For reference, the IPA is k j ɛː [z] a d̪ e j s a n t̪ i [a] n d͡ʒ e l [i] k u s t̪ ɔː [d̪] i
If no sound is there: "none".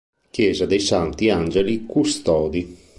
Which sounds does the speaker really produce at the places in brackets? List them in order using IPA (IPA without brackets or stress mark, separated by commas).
z, a, i, d̪